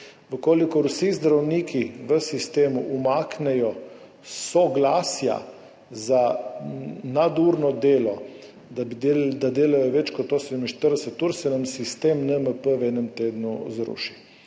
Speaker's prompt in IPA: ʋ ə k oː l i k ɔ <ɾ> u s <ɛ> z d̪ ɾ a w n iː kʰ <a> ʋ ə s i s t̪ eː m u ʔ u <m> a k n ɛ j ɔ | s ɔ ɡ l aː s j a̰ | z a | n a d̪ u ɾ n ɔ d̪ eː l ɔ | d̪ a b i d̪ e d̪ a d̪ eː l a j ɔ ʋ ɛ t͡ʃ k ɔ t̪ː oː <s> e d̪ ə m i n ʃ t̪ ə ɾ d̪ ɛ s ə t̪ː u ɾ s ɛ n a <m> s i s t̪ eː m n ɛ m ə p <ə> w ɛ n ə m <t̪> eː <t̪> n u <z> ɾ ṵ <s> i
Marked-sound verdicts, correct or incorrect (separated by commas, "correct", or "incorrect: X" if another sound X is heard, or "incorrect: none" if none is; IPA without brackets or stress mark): correct, incorrect: i, incorrect: i, correct, correct, correct, correct, correct, incorrect: d̪, correct, incorrect: ʃ